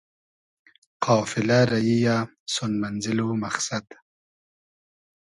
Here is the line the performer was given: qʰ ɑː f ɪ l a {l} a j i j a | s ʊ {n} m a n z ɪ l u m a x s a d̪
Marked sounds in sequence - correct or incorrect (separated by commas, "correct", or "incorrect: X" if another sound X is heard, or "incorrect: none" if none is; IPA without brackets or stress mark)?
incorrect: ɾ, correct